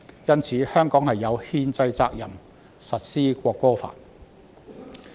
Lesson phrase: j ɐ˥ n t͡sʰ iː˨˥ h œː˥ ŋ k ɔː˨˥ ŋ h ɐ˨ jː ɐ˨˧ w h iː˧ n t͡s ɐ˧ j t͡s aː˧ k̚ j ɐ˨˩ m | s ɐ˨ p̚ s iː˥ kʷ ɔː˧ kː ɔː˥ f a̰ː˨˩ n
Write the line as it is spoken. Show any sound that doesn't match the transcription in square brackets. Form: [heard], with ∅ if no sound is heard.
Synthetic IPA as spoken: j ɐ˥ n t͡sʰ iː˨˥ h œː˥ ŋ k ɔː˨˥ ŋ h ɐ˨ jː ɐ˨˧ w h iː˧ n t͡s ɐ˧ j t͡s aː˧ k̚ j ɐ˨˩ m | s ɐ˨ [t̚] s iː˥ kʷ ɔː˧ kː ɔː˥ f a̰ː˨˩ n